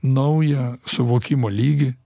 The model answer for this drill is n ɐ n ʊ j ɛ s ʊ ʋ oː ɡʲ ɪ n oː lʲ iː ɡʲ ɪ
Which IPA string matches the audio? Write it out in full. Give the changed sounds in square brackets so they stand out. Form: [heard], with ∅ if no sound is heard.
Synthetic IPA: n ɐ [∅] ʊ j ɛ s ʊ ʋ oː [kʲ] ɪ [m] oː lʲ iː ɡʲ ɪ

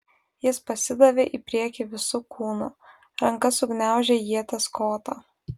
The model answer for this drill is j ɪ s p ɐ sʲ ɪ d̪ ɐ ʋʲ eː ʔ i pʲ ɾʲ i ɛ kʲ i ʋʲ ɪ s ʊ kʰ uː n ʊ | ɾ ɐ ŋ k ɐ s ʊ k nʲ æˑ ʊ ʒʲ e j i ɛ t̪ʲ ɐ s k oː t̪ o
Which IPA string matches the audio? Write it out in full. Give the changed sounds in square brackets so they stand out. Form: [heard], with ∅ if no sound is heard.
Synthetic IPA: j ɪ s p ɐ sʲ ɪ d̪ ɐ ʋʲ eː ʔ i pʲ ɾʲ i ɛ kʲ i ʋʲ ɪ s ʊ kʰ uː n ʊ | ɾ ɐ ŋ k ɐ s ʊ [ɡ] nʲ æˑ ʊ ʒʲ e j i ɛ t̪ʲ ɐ s k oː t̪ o

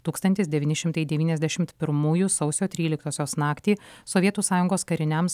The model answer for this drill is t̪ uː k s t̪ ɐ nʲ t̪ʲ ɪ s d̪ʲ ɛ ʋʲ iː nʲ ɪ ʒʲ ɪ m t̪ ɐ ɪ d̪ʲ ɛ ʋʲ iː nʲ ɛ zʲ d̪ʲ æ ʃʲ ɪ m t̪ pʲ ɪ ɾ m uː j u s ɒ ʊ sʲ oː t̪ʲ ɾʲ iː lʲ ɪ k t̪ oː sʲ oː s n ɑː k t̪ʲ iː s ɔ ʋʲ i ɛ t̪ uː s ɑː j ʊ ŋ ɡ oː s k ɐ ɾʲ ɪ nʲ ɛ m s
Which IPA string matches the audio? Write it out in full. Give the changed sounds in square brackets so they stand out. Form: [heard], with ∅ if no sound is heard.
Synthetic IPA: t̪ uː k s t̪ ɐ nʲ t̪ʲ ɪ s d̪ʲ ɛ ʋʲ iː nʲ ɪ [ʃʲ] ɪ m t̪ ɐ ɪ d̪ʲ ɛ ʋʲ iː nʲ ɛ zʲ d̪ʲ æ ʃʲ ɪ m t̪ pʲ ɪ ɾ m uː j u s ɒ ʊ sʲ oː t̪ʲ ɾʲ iː lʲ ɪ k t̪ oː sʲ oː s n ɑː k t̪ʲ iː s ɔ ʋʲ i ɛ t̪ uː s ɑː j ʊ ŋ ɡ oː s k ɐ ɾʲ ɪ nʲ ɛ m s

